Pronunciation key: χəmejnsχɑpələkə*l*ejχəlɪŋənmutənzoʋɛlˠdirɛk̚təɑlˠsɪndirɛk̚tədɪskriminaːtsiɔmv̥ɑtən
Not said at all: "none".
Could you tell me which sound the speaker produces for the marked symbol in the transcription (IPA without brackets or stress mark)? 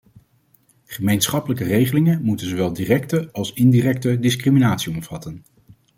r